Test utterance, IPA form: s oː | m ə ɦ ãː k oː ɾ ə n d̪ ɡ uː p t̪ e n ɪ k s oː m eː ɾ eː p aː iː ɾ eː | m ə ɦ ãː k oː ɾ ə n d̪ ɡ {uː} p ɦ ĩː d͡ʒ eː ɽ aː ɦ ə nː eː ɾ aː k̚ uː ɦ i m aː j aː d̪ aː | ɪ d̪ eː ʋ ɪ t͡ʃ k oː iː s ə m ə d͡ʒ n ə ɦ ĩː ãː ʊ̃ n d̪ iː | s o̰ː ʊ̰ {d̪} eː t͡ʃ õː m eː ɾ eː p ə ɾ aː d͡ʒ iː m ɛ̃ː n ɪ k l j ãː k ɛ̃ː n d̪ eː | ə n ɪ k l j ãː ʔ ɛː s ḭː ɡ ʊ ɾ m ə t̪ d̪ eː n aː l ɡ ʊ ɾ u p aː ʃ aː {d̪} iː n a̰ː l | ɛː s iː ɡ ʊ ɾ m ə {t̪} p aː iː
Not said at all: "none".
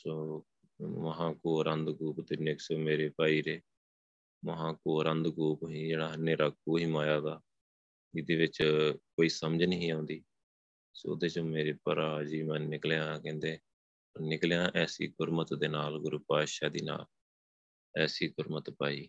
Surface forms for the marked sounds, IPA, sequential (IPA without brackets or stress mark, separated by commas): uː, d̪, d̪, t̪